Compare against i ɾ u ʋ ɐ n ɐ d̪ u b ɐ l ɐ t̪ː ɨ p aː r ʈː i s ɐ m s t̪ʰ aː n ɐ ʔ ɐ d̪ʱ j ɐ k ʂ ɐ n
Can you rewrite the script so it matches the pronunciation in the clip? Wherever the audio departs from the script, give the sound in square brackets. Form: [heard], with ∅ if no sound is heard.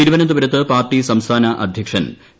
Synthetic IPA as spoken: i ɾ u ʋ ɐ n ɐ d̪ u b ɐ [ɾ] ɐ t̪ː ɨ p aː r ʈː i s ɐ m s t̪ʰ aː n ɐ ʔ ɐ d̪ʱ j ɐ k ʂ ɐ n